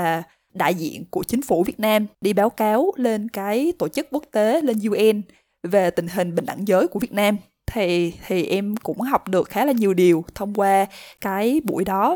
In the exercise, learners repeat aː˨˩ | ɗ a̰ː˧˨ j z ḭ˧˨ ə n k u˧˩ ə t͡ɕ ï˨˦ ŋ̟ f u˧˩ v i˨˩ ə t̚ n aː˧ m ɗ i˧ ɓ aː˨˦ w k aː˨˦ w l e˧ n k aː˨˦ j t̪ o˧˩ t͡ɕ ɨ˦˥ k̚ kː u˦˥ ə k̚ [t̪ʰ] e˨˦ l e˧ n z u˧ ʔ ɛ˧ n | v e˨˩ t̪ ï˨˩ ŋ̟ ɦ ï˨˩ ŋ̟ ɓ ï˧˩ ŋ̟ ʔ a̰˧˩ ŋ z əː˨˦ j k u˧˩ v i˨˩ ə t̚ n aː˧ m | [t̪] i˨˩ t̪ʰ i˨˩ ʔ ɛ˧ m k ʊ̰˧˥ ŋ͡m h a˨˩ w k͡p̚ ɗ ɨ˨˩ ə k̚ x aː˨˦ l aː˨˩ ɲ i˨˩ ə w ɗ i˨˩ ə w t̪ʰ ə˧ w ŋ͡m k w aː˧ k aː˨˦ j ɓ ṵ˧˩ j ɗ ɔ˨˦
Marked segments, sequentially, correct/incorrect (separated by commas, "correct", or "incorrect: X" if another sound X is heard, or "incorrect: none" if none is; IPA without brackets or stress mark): incorrect: t̪, incorrect: t̪ʰ